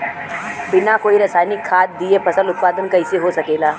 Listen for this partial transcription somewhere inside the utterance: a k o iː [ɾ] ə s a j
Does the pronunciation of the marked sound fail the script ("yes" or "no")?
no